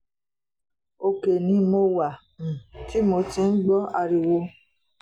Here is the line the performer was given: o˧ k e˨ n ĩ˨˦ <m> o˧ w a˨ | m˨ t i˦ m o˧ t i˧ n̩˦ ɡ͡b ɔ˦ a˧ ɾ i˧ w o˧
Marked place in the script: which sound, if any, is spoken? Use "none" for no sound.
m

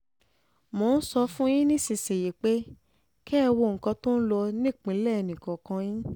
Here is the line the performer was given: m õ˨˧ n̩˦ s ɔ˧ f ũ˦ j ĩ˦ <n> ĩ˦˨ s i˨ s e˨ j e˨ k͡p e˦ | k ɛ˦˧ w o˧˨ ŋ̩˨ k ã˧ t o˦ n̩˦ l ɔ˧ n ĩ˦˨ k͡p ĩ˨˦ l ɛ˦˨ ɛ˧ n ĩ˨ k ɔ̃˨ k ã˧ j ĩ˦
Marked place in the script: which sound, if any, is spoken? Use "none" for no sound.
n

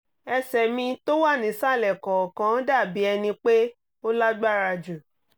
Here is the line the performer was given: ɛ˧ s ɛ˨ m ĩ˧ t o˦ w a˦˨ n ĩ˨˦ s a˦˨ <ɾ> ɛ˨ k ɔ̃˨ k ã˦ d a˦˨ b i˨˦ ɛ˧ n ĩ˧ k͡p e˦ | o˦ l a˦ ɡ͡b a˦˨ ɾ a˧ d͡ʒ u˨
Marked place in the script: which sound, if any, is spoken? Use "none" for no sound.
l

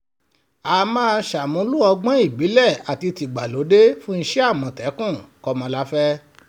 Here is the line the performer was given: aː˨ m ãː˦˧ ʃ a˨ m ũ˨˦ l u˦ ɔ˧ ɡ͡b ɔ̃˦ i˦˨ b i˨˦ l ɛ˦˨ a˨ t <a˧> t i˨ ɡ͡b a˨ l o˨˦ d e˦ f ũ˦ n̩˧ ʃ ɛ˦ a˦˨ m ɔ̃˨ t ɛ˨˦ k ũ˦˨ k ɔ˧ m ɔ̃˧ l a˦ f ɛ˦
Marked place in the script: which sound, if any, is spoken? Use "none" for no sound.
i˧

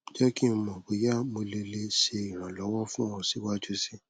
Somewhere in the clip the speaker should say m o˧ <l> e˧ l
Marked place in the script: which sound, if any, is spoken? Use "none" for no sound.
l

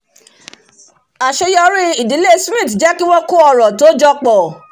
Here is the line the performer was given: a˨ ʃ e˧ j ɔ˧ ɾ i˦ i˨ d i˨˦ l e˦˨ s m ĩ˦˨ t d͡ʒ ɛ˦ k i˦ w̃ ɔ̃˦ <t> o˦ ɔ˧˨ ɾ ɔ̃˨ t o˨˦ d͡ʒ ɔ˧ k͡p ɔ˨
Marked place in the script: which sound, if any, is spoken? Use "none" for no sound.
k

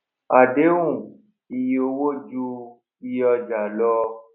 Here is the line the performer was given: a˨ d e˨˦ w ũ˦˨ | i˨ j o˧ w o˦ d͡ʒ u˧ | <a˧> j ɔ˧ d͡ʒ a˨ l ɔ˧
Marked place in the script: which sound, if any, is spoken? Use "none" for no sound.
i˧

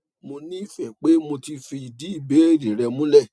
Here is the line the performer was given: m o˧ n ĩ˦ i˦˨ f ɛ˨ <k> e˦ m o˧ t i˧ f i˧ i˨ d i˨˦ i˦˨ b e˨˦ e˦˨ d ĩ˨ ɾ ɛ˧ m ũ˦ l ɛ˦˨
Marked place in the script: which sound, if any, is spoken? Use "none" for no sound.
k͡p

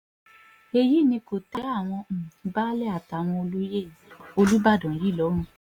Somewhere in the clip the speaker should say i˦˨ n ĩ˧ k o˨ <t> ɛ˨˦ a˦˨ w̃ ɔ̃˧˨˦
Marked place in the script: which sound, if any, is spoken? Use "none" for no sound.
t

